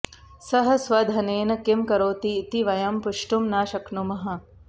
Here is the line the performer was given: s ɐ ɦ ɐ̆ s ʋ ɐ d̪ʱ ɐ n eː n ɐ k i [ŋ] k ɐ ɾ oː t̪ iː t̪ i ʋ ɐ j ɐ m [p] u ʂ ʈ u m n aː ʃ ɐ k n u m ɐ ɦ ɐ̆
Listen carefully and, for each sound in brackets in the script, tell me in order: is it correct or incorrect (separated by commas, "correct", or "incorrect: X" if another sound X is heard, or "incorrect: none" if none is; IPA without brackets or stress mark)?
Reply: incorrect: m, correct